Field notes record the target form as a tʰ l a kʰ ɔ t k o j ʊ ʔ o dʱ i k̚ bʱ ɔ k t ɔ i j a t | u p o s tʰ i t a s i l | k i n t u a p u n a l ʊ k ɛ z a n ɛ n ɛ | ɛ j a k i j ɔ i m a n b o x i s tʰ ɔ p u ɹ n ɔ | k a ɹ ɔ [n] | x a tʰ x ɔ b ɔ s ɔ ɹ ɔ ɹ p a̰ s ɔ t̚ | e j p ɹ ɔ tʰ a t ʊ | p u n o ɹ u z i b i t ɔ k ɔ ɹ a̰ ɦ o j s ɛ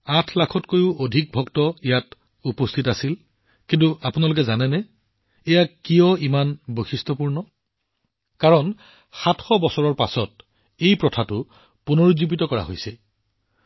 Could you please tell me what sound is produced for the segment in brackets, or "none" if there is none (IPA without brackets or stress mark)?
n